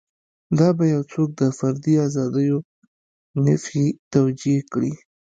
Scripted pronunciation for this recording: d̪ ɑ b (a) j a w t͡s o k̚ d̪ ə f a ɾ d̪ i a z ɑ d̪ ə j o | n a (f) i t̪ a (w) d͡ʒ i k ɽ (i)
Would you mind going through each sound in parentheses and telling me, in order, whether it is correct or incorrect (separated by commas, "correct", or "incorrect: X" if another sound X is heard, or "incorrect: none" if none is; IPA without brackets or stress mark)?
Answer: correct, correct, correct, correct